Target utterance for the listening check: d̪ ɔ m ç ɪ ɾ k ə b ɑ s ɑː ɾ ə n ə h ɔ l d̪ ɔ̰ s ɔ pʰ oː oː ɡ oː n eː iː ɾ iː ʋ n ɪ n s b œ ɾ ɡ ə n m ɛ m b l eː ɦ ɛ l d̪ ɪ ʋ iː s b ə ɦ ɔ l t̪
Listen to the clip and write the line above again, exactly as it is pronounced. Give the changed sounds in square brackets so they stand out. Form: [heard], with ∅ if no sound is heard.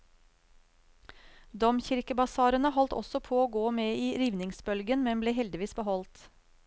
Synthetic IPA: d̪ ɔ m ç ɪ ɾ k ə b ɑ s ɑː ɾ ə n ə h ɔ l [t̪] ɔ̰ s ɔ pʰ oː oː ɡ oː [m] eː iː ɾ iː ʋ n ɪ [ŋ] s b œ [l] ɡ ə n m ɛ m b l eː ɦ ɛ l d̪ ɪ ʋ iː s b ə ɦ ɔ l t̪